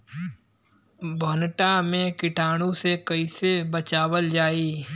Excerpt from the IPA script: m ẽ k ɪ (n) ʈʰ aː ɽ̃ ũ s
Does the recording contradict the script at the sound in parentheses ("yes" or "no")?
yes